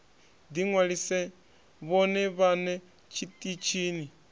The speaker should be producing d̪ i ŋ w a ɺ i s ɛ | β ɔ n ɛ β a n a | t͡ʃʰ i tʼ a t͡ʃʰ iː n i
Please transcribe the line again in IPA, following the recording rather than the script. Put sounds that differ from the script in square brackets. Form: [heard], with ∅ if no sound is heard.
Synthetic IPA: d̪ i ŋ w a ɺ i s ɛ | β ɔ n ɛ β a n [ɛ] | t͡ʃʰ i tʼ [i] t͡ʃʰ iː n i